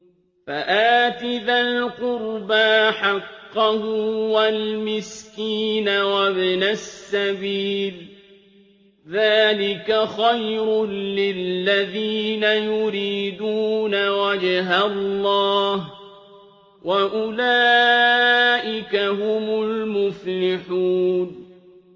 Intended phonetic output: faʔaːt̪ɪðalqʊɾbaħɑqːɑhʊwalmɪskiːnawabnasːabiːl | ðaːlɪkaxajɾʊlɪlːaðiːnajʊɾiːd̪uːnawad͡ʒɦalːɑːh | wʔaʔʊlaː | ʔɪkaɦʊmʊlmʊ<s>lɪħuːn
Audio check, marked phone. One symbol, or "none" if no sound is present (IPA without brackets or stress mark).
f